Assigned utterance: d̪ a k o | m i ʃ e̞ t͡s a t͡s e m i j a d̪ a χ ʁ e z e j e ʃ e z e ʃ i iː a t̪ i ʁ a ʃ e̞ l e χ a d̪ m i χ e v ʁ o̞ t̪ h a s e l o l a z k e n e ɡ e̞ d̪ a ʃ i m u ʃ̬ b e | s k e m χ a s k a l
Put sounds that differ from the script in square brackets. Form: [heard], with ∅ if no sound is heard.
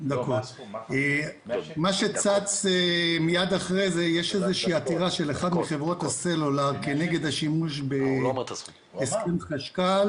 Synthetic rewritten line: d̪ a k o | m [a] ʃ e̞ t͡s a t͡s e m i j a d̪ a χ ʁ e z e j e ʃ e z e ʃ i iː a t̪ i ʁ a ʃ e̞ l e χ a d̪ m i χ e v ʁ o̞ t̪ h a s e l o l a [ʁ] k e n e ɡ e̞ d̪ a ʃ i m u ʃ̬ b e | s k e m χ a [ʃ] k a l